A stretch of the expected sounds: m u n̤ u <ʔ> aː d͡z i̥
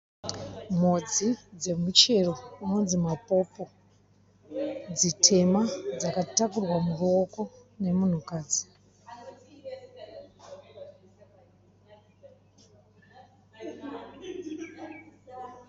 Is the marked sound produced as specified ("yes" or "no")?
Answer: no